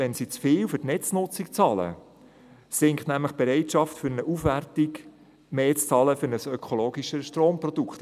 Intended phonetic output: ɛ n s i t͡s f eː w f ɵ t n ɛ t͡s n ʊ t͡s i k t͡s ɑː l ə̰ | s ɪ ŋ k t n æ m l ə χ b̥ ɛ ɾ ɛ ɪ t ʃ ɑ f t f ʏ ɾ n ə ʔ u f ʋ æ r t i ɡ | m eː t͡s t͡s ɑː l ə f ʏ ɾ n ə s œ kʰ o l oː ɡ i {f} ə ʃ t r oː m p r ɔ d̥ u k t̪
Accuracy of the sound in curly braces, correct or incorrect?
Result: incorrect